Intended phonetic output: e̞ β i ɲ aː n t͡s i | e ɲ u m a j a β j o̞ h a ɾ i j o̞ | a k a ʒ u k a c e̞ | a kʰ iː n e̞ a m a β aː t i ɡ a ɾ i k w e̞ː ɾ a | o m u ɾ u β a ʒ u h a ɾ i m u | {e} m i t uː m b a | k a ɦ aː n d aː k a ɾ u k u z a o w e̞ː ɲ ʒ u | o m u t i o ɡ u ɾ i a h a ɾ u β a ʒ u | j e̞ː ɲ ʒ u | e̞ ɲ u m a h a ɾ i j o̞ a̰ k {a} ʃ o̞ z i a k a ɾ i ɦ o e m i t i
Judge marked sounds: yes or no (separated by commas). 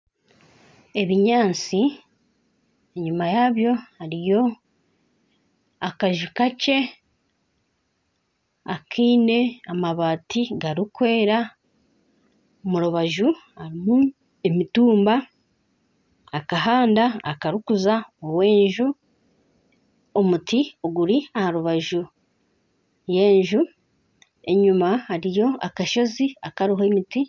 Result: yes, yes